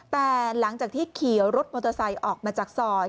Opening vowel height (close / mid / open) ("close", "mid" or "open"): mid